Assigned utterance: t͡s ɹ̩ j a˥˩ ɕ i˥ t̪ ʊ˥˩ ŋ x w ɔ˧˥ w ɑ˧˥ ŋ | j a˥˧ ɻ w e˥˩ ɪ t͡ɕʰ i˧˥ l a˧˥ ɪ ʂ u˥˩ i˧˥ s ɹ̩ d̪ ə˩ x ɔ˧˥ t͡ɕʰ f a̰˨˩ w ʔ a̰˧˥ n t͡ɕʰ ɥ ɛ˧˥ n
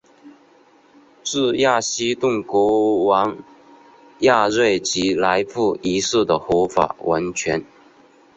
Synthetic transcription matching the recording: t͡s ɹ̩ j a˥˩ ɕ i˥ t̪ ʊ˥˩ ŋ k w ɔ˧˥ w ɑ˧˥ ŋ | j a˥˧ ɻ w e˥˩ ɪ t͡ɕ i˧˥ l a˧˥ ɪ f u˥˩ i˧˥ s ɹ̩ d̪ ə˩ x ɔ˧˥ f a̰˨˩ w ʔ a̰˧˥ n t͡ɕʰ ɥ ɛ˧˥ n